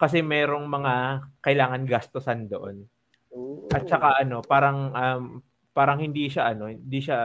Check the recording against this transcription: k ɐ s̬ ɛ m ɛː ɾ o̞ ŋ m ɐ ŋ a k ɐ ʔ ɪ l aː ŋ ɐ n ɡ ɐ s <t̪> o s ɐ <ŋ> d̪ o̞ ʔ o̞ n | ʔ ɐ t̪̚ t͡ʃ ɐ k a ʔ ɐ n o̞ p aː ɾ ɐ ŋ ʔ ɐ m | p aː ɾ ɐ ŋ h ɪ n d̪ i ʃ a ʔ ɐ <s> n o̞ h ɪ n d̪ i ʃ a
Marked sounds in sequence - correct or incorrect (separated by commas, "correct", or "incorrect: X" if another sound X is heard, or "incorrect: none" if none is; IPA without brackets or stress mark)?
correct, incorrect: n, incorrect: none